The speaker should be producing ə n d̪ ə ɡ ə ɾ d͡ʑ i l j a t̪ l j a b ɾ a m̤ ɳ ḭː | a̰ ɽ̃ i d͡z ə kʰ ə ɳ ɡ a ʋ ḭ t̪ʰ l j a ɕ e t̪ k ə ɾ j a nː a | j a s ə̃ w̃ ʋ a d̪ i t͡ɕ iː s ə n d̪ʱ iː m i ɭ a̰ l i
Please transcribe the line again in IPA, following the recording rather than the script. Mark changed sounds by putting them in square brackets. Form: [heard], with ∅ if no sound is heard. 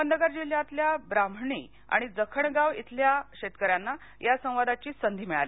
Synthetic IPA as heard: ə n d̪ ə ɡ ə ɾ d͡ʑ i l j a t̪ l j a b ɾ a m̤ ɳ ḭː | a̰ ɽ̃ i d͡z ə kʰ ə ɳ ɡ a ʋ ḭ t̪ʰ l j a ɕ e t̪ k ə ɾ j a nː a | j a s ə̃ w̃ ʋ a d̪ [a] t͡ɕ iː s ə n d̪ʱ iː m i ɭ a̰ l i